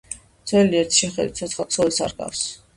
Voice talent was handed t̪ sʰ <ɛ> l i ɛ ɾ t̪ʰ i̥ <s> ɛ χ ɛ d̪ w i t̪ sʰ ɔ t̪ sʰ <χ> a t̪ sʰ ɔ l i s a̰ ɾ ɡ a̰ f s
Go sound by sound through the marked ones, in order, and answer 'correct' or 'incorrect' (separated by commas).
correct, incorrect, correct